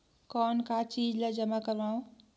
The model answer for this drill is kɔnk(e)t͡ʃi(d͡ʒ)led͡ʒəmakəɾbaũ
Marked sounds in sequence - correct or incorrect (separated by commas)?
incorrect, correct